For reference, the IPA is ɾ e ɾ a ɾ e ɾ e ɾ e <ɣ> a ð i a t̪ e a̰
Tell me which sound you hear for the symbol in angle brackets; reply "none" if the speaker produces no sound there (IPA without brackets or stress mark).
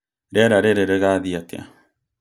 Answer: ɣ